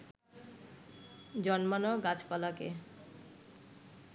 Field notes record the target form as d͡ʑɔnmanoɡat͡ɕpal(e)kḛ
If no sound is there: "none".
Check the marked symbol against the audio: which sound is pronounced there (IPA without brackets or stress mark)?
a